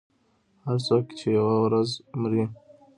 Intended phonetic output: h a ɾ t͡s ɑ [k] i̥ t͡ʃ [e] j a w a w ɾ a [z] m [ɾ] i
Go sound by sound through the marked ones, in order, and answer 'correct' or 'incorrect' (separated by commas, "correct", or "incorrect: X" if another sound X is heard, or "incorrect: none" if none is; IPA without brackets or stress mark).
correct, correct, correct, correct